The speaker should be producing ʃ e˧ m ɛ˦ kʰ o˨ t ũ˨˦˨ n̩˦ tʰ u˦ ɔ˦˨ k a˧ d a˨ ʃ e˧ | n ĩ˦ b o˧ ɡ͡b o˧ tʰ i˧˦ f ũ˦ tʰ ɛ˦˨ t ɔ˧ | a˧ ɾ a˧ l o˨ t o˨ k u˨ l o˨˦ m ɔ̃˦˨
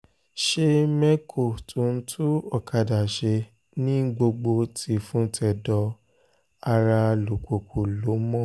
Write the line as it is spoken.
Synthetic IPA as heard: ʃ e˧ m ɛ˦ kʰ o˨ t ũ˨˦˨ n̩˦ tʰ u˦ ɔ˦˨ k a˧ d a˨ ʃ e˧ | n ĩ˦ ɡ͡b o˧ ɡ͡b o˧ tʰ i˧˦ f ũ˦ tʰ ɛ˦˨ d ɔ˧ | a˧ ɾ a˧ l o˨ k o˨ k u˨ l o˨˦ m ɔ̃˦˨